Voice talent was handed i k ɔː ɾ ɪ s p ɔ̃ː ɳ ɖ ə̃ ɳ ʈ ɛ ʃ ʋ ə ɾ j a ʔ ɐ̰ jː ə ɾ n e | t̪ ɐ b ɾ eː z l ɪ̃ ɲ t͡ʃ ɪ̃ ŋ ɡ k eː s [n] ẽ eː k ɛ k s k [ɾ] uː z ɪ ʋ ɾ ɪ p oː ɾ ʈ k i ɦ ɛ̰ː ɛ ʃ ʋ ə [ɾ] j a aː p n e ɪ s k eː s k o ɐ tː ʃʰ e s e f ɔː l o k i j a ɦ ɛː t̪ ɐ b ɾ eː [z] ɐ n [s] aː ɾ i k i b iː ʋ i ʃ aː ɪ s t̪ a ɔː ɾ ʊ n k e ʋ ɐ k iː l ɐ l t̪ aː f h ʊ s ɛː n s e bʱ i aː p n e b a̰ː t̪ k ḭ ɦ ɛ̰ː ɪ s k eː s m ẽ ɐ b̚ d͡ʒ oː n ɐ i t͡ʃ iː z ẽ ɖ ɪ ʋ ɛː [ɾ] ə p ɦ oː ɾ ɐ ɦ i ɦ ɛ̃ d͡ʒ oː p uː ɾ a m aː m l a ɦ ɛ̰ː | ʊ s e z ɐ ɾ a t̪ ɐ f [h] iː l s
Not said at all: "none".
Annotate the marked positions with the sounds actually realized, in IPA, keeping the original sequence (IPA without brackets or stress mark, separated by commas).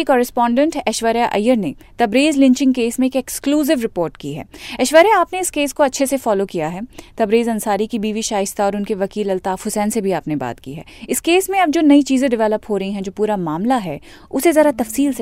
m, l, ɾ, z, s, l, s